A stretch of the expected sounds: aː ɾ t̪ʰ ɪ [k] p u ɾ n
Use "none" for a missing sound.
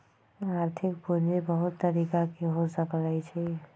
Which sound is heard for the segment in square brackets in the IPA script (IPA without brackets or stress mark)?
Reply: k